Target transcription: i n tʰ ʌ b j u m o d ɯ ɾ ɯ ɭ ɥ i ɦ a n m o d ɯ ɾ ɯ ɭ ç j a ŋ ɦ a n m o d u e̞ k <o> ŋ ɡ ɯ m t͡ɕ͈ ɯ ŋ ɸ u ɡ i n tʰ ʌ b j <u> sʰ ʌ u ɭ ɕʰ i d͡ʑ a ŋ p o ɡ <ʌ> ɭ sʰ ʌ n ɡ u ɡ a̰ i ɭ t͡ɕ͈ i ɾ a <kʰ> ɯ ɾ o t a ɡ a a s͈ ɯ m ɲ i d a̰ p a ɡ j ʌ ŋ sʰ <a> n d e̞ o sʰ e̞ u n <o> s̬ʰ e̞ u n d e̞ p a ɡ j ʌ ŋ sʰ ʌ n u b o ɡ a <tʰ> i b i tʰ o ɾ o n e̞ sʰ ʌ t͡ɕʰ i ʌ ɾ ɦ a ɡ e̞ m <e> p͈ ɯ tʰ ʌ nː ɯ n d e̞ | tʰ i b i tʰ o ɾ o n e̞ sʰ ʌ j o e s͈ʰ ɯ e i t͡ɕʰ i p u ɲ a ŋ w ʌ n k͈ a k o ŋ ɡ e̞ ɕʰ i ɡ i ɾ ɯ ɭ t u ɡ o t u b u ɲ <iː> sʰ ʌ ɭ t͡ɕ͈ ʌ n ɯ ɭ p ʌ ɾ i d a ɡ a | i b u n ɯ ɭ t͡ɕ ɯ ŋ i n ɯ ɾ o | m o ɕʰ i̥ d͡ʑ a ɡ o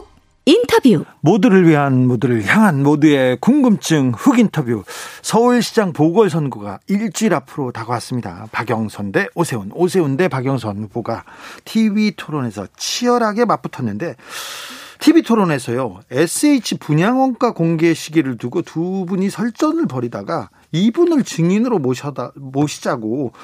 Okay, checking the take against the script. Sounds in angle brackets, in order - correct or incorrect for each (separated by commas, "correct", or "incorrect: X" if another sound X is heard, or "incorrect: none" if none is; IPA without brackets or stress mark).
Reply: incorrect: u, correct, correct, incorrect: pʰ, incorrect: ʌ, correct, correct, incorrect: a, incorrect: i